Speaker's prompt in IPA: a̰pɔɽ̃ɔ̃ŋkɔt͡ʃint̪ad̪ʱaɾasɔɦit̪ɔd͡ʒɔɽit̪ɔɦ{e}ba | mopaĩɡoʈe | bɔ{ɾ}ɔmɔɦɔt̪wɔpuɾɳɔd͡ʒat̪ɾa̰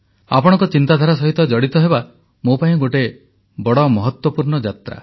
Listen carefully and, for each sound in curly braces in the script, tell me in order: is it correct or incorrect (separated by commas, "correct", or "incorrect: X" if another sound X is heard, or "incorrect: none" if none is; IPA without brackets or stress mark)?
correct, incorrect: ɽ